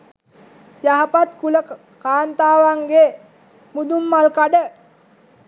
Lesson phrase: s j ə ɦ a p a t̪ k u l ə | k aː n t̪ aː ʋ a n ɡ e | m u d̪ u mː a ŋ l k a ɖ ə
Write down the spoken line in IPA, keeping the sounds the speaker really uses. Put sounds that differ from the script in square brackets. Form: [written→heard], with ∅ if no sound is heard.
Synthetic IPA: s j [ə→a] ɦ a p a t̪ k u l ə | k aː n t̪ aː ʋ a [n→ŋ] ɡ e | m u d̪ u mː a [ŋ→∅] l k a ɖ ə

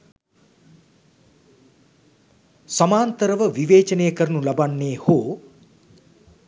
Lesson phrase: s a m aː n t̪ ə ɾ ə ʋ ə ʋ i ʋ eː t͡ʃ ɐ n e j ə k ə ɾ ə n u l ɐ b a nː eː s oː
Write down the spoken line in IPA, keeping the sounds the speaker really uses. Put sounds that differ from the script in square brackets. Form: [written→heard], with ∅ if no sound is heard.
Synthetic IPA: s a m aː n t̪ ə ɾ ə ʋ ə ʋ i ʋ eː t͡ʃ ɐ n e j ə k ə ɾ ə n u l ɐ b a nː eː [s→h] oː

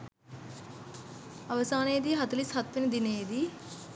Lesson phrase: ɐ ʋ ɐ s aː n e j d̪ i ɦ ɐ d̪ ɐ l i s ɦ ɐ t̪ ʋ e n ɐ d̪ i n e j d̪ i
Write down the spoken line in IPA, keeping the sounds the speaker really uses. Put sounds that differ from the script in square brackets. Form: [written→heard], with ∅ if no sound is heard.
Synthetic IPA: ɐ ʋ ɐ s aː n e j d̪ i ɦ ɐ [d̪→t̪] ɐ l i s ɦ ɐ t̪ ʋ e n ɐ d̪ i n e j d̪ i

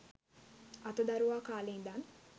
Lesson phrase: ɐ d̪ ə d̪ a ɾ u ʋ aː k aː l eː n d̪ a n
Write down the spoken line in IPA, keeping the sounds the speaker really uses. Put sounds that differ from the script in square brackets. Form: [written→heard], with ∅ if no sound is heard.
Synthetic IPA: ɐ [d̪→t̪] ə d̪ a ɾ u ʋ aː k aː l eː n d̪ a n

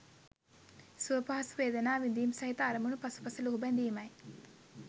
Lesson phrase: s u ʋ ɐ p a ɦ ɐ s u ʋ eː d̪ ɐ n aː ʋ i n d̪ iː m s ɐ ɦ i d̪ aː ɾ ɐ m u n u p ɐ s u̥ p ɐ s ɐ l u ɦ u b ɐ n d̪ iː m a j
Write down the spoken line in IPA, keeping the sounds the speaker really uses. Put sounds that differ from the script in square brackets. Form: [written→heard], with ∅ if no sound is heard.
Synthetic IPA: s u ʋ ɐ p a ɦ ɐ s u ʋ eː d̪ ɐ n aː ʋ i n d̪ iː m s ɐ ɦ i [d̪→t̪] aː ɾ ɐ m u n u p ɐ s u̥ p ɐ s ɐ l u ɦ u b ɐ n d̪ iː m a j

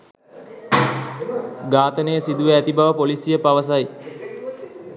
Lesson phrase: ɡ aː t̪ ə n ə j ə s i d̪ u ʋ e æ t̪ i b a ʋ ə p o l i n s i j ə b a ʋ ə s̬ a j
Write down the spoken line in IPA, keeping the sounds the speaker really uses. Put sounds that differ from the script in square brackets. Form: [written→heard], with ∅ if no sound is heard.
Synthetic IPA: ɡ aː t̪ ə n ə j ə s i d̪ u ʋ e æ t̪ i b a ʋ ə p o l i [n→∅] s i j ə [b→p] a ʋ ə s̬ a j

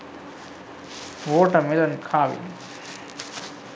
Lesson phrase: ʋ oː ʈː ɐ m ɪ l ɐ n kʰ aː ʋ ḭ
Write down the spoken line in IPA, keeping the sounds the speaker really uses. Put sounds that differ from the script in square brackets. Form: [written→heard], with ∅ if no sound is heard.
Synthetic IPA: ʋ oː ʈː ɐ m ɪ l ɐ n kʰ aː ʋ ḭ

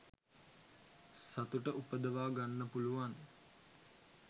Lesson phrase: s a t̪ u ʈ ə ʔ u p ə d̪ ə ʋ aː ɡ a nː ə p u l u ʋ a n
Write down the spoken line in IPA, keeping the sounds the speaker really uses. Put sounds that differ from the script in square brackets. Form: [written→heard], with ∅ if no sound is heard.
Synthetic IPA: s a t̪ u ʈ ə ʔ u p ə d̪ ə ʋ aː ɡ a nː ə p u l u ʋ a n

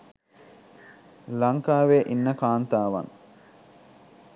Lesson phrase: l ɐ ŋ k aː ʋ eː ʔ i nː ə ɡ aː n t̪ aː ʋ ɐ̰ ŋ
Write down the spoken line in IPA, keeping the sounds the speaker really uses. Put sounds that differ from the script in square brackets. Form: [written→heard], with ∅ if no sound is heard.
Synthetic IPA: l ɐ ŋ k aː ʋ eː ʔ i nː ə [ɡ→k] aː n t̪ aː ʋ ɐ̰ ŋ

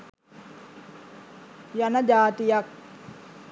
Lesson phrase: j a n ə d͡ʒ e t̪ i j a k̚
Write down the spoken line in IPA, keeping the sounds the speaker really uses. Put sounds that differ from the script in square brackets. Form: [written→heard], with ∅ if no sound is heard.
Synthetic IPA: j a n [ə→a] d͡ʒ [e→a] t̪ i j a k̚

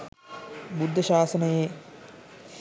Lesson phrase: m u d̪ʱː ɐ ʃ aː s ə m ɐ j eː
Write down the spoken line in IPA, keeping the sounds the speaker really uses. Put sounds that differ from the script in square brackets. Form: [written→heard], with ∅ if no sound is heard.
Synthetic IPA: [m→b] u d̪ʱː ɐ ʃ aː s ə [m→n] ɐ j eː

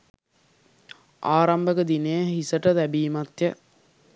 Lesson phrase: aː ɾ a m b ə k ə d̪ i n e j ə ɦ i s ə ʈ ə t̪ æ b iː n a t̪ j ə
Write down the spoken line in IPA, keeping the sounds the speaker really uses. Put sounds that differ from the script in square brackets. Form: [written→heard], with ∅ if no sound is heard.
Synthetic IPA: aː ɾ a m b ə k ə d̪ i n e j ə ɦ i s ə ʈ ə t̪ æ b iː [n→m] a t̪ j ə

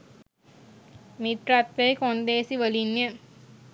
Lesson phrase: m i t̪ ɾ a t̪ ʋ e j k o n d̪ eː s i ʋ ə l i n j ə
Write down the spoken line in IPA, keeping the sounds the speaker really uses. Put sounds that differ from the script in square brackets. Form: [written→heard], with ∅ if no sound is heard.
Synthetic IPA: m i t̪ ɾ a t̪ ʋ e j k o n d̪ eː s i ʋ ə l i n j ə

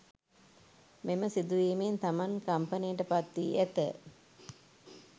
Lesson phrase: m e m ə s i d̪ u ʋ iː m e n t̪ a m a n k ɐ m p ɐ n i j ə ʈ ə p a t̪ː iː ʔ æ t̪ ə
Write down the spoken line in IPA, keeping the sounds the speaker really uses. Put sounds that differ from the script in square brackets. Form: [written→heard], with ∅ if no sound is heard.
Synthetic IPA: m e m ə s i d̪ u ʋ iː m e n t̪ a m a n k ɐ m p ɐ n i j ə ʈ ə p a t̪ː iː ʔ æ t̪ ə

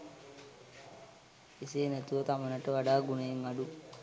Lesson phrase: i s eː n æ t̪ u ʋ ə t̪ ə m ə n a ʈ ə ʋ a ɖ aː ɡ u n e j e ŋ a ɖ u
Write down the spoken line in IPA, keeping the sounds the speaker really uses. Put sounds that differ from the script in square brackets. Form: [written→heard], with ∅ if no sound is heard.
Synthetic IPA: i s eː n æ t̪ u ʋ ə t̪ [ə→a] m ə n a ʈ ə ʋ a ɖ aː ɡ u n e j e ŋ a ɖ u

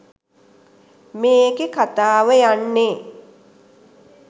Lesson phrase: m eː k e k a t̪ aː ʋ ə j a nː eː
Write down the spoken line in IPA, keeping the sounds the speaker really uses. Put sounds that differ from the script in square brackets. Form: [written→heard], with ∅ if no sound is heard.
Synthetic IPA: m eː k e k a t̪ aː ʋ ə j a nː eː

